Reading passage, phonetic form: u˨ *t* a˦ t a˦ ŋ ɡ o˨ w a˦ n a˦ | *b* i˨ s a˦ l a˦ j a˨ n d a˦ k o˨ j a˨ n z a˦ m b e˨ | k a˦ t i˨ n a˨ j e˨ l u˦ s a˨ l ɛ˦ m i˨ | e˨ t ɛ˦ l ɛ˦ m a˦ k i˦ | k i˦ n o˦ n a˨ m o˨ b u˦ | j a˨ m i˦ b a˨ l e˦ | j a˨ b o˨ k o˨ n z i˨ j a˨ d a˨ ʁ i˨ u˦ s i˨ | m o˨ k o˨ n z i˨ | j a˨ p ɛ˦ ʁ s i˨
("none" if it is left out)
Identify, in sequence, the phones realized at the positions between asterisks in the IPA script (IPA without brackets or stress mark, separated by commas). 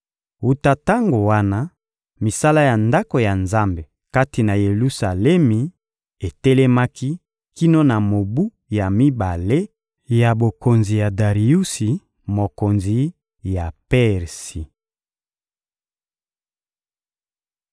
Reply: t, m